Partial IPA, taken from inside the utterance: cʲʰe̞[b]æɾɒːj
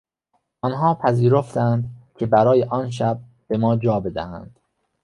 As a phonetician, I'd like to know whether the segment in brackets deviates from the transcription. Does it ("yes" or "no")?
no